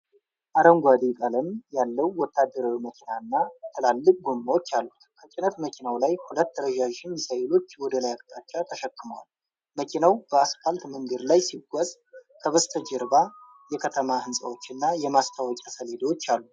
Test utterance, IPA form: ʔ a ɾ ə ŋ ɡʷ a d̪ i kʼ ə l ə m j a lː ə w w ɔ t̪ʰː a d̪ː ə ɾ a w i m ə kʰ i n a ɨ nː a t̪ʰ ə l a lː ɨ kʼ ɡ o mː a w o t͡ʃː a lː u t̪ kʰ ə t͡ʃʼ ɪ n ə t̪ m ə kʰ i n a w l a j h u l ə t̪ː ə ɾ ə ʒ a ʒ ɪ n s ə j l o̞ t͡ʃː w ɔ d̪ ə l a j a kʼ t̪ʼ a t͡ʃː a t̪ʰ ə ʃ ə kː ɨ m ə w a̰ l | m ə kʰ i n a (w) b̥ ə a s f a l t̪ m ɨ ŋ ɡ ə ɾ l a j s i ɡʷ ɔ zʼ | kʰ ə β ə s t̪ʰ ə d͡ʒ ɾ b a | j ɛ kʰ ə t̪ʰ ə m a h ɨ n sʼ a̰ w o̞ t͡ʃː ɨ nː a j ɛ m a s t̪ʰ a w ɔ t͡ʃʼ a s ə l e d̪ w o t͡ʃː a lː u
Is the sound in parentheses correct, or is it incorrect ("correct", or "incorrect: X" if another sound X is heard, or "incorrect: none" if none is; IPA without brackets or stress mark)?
correct